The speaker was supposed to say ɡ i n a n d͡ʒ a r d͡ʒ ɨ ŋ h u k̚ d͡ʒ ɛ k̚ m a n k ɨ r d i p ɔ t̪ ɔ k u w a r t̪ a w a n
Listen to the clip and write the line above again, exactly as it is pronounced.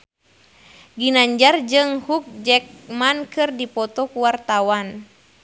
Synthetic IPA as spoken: ɡ i n a ɲ d͡ʒ a r d͡ʒ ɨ ŋ h u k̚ d͡ʒ ɛ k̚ m a n k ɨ r d i p ɔ t̪ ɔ k u w a r t̪ a w a n

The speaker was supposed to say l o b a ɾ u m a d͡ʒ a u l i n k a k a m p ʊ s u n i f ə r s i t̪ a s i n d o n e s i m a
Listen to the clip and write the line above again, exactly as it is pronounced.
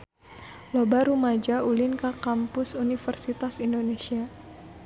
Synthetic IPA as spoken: l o b a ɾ u m a d͡ʒ a u l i n k a k a m p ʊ s u n i f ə r s i t̪ a s i n d o n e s i a

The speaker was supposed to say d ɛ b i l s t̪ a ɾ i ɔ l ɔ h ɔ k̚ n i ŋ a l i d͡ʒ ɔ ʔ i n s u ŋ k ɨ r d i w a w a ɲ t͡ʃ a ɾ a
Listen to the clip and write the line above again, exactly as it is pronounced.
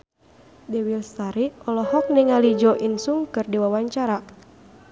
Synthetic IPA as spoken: d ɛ w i l s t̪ a ɾ i ɔ l ɔ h ɔ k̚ n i ŋ a l i d͡ʒ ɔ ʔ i n s u ŋ k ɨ r d i w a w a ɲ t͡ʃ a ɾ a

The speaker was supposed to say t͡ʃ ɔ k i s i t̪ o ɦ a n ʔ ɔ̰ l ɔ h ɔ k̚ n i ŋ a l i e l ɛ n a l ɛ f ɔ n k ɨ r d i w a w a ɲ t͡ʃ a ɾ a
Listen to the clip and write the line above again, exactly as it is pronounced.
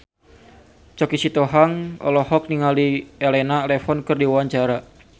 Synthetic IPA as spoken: t͡ʃ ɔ k i s i t̪ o ɦ a ŋ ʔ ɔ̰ l ɔ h ɔ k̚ n i ŋ a l i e l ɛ n a l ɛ f ɔ n k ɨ r d i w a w a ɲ t͡ʃ a ɾ a

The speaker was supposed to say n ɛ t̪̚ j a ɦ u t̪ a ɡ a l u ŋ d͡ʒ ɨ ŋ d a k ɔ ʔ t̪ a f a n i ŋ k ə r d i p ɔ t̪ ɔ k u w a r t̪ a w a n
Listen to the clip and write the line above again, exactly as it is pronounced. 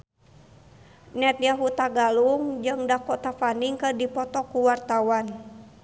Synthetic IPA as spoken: n ɛ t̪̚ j a ɦ u t̪ a ɡ a l u ŋ d͡ʒ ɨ ŋ d a k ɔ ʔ t̪ a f a n i ŋ k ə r d i p ɔ t̪ ɔ k u w a r t̪ a w a n

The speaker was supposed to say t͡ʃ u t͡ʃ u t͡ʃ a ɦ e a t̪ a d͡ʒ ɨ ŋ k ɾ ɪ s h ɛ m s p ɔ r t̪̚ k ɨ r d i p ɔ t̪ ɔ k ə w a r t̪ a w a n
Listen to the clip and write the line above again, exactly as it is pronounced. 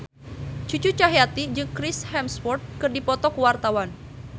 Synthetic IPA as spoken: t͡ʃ u t͡ʃ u t͡ʃ a ɦ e a t̪ i d͡ʒ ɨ ŋ k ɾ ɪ s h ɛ m s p ɔ r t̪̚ k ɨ r d i p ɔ t̪ ɔ k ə w a r t̪ a w a n

